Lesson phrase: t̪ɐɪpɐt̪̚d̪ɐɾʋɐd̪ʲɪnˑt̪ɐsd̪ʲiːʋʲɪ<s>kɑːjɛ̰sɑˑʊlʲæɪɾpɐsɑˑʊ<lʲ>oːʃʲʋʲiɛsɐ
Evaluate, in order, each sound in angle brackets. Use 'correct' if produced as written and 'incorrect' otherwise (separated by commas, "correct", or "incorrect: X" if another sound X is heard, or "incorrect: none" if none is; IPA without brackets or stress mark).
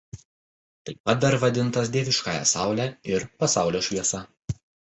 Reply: incorrect: ʃ, correct